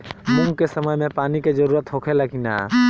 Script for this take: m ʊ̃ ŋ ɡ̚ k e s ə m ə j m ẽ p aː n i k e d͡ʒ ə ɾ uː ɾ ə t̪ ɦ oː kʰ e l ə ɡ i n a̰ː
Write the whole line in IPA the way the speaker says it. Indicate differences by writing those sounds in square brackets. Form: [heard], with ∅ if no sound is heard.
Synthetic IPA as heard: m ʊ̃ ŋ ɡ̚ k e s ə m ə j m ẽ p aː n i k e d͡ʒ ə ɾ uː ɾ ə t̪ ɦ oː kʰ e l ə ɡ i n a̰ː